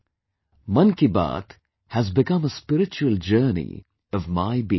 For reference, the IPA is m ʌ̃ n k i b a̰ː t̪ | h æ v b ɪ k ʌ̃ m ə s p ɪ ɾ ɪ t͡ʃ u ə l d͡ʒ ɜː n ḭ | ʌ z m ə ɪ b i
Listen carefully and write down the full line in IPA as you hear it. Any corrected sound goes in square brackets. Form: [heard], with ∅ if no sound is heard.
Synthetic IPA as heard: m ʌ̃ n k i b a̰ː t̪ | h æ [z] b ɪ k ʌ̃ m ə s p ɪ ɾ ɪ t͡ʃ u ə l d͡ʒ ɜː n ḭ | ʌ [v] m [a] ɪ b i